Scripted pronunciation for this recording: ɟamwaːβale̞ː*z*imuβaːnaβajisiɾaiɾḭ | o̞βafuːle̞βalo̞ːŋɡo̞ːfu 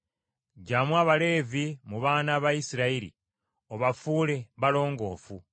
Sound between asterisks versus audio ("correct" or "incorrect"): incorrect